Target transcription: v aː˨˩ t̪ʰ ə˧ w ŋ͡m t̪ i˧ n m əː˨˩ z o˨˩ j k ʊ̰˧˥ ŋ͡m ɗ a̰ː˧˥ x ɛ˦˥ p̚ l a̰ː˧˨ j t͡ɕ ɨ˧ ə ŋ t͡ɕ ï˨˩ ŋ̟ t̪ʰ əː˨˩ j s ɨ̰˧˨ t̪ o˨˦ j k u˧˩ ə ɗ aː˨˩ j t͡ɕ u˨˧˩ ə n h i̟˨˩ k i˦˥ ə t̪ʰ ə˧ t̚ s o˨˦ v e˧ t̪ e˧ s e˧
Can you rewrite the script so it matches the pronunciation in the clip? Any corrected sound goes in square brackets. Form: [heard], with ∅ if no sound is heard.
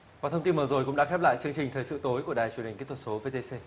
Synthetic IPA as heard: v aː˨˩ t̪ʰ ə˧ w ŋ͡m t̪ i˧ n m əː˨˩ z o˨˩ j k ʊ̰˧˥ ŋ͡m ɗ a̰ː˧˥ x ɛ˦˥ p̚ l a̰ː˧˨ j t͡ɕ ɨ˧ ə ŋ t͡ɕ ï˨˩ ŋ̟ t̪ʰ əː˨˩ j s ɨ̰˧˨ t̪ o˨˦ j k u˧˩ ə ɗ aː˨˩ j t͡ɕ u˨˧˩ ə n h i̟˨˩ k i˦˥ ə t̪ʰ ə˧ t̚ s o˨˦ v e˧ t̪ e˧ s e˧